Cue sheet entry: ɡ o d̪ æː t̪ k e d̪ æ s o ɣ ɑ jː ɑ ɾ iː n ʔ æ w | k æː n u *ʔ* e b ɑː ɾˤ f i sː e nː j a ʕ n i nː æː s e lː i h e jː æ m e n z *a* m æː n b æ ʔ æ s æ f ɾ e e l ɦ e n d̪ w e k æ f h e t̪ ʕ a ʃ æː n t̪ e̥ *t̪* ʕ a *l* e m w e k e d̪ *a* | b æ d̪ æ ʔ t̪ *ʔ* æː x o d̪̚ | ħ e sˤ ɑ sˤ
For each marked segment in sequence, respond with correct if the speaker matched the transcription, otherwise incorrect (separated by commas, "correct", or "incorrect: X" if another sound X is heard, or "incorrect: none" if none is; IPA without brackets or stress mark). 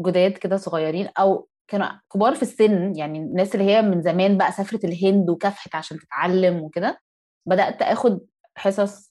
incorrect: k, incorrect: æ, correct, incorrect: lː, incorrect: æ, correct